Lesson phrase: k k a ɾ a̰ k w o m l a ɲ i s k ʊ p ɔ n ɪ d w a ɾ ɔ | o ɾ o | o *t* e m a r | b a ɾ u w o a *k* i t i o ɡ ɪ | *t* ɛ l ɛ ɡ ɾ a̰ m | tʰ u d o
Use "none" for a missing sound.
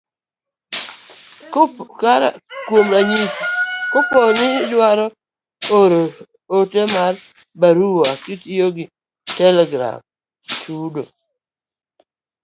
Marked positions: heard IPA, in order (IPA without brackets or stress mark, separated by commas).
t, k, t